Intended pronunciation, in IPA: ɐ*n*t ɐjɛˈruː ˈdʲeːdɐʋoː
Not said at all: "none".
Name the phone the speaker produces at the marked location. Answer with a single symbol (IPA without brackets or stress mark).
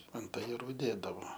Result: n